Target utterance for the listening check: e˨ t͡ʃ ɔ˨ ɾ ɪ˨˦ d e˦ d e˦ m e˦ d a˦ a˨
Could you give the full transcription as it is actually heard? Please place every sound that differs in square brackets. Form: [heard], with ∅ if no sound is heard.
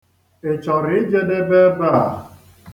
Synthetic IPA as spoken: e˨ t͡ʃ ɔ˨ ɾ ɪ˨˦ [d͡ʒ] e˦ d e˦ [b] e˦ [b] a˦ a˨